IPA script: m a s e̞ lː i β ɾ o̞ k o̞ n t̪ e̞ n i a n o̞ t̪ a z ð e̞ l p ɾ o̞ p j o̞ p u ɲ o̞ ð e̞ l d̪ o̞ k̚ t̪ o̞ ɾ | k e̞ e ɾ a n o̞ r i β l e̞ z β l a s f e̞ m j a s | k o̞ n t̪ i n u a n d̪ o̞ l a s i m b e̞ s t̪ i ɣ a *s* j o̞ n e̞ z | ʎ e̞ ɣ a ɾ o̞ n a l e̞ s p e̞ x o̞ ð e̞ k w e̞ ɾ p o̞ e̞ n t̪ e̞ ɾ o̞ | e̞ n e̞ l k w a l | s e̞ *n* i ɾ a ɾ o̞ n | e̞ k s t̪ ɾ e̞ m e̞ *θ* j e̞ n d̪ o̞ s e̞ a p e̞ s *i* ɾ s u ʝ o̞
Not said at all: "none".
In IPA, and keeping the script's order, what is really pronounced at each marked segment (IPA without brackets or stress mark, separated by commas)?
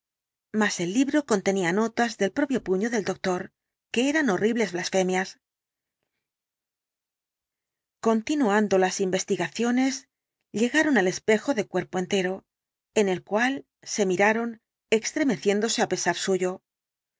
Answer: θ, m, θ, a